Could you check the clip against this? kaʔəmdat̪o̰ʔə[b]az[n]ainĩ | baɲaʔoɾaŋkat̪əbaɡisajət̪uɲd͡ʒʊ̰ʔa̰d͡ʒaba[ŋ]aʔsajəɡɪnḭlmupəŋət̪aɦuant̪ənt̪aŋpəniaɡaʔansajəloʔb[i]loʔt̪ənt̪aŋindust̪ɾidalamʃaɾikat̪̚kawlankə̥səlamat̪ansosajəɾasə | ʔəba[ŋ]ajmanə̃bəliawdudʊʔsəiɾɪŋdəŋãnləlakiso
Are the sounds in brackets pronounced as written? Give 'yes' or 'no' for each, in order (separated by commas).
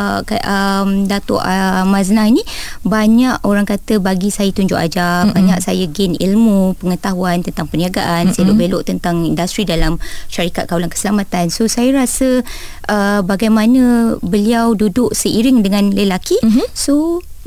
no, yes, no, no, no